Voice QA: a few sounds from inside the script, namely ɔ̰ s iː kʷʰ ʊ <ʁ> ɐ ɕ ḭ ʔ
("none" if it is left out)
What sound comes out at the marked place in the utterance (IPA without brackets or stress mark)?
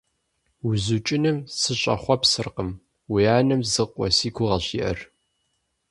ʁ